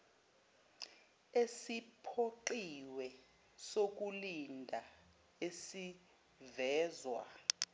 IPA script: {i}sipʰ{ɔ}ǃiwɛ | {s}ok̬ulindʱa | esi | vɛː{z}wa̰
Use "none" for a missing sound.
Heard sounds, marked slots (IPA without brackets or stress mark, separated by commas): e, o, s, z